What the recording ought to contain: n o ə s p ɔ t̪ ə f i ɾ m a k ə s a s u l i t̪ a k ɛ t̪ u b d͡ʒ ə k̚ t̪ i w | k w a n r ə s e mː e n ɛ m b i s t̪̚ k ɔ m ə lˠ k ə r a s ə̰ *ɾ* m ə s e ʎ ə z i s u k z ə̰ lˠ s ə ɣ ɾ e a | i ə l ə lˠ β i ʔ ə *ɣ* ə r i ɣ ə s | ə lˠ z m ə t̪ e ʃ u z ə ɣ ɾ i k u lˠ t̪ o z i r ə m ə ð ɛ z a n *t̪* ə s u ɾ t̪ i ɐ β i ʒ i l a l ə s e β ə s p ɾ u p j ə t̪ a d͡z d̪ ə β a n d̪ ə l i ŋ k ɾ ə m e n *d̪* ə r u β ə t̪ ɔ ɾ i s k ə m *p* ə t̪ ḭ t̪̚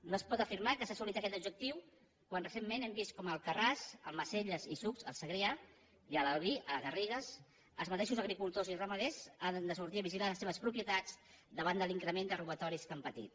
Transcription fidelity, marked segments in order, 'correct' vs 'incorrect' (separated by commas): incorrect, correct, incorrect, correct, correct